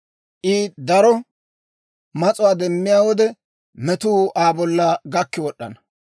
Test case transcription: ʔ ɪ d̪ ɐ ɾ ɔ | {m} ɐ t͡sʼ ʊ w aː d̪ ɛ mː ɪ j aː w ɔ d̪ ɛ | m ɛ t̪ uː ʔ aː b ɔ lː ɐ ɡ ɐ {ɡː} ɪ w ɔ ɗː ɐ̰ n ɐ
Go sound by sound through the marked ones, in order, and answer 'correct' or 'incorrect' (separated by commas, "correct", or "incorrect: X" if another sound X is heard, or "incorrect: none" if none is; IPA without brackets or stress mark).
correct, incorrect: kː